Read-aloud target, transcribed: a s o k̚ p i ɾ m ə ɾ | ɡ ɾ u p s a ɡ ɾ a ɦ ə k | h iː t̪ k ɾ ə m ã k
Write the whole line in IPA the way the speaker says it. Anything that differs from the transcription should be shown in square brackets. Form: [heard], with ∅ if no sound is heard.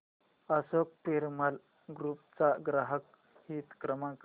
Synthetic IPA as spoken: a s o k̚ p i ɾ m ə [l] | ɡ ɾ u p [t͡s] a ɡ ɾ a ɦ ə k | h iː t̪ k ɾ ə m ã k